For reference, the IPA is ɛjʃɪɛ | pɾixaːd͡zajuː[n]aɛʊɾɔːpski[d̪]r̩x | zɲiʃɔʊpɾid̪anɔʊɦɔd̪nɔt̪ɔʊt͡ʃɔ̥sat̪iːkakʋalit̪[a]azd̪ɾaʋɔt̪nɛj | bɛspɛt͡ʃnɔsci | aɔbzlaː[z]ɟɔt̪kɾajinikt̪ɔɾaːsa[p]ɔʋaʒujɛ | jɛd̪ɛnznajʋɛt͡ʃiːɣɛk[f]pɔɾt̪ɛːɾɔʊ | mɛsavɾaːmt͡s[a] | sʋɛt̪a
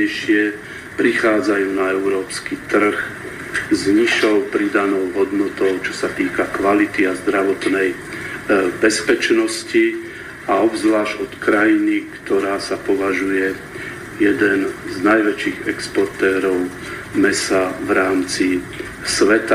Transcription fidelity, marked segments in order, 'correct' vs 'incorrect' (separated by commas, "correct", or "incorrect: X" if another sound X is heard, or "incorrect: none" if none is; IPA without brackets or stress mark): correct, incorrect: t̪, incorrect: i, incorrect: ʒ, correct, incorrect: s, incorrect: i